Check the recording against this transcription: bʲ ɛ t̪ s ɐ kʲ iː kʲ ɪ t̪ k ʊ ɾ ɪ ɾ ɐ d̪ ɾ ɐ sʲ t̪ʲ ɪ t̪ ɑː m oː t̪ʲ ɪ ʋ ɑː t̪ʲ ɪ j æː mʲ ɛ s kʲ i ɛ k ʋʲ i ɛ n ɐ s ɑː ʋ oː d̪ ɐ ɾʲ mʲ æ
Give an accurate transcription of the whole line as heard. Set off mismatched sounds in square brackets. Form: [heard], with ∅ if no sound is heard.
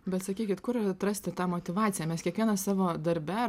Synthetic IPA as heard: bʲ ɛ t̪ s ɐ kʲ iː kʲ ɪ t̪ k ʊ ɾ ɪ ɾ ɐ [t̪] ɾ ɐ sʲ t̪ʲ ɪ t̪ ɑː m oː t̪ʲ ɪ ʋ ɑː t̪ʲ ɪ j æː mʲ ɛ s kʲ i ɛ k ʋʲ i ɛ n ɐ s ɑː ʋ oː d̪ ɐ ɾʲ [bʲ] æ